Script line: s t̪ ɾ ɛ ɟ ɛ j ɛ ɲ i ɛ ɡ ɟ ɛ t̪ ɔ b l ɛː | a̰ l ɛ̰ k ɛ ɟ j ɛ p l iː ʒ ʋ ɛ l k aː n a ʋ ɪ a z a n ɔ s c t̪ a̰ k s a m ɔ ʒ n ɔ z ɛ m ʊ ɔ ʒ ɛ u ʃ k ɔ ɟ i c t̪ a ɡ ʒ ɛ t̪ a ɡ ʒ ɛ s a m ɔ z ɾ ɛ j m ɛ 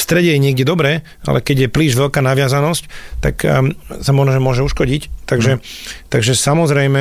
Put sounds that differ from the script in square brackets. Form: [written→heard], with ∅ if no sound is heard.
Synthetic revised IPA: s t̪ ɾ ɛ ɟ ɛ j ɛ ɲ [i→ɪ] ɛ ɡ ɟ ɛ [t̪→d̪] ɔ b [l→ɾ] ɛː | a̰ l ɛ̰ k ɛ ɟ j ɛ p l iː ʒ ʋ ɛ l k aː n a ʋ ɪ a z a n ɔ s c t̪ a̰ k s a m ɔ ʒ n ɔ [z→ʒ] ɛ m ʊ ɔ ʒ ɛ u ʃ k ɔ ɟ i c t̪ a ɡ ʒ ɛ t̪ a ɡ ʒ ɛ s a m ɔ z ɾ ɛ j m ɛ